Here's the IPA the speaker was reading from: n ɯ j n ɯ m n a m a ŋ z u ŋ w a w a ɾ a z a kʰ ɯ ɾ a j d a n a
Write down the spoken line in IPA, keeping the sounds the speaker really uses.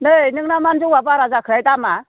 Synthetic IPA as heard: n ɯ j n ɯ ŋ n a m a n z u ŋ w a b a ɾ a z a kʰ ɯ ɾ a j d a m a